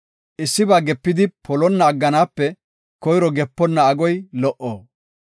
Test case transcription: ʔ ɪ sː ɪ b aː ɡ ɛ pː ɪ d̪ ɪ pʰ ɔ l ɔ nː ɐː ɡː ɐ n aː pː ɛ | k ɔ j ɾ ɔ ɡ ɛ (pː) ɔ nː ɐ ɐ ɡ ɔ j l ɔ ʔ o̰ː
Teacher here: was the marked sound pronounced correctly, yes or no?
yes